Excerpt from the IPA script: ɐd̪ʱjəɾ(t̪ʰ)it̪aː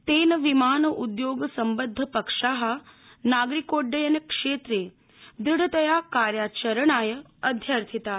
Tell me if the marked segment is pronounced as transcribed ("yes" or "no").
yes